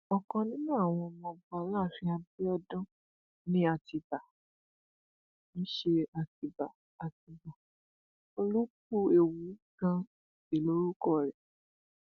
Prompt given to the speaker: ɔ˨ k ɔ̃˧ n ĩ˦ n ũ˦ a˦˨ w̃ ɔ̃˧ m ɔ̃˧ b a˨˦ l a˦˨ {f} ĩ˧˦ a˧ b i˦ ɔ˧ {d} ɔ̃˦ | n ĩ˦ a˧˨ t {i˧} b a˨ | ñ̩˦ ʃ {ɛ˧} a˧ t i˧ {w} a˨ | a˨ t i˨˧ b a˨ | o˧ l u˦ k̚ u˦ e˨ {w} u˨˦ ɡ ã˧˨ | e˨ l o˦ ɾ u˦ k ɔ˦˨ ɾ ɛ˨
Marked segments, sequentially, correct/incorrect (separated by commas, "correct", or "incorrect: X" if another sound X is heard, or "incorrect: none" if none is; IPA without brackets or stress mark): correct, correct, correct, incorrect: e˧, incorrect: b, correct